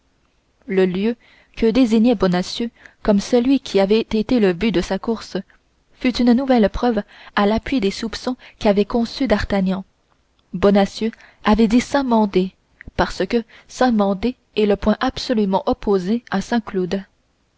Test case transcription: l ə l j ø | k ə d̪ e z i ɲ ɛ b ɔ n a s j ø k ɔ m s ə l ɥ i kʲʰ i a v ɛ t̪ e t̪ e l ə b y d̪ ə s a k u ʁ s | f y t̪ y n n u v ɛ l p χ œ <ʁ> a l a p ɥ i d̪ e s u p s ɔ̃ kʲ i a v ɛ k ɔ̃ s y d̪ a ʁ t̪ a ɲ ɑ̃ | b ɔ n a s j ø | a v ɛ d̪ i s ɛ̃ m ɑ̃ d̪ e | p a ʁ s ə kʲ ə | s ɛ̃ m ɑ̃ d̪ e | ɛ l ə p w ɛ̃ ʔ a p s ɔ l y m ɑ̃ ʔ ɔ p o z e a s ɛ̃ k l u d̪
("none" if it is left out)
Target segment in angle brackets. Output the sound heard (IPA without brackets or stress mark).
v